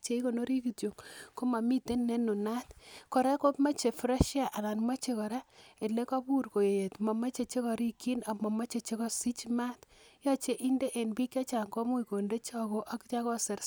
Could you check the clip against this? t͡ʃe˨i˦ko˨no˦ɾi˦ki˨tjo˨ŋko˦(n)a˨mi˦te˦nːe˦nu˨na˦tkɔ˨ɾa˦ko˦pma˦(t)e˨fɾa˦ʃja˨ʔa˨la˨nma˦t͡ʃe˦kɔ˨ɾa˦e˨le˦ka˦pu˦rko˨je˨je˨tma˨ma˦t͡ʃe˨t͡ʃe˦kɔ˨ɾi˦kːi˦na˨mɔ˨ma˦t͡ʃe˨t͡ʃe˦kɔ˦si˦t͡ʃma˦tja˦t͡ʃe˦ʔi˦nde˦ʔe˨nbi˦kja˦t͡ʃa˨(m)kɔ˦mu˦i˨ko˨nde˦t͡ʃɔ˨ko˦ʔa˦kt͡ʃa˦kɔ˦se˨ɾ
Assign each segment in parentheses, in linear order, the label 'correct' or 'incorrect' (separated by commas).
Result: incorrect, incorrect, incorrect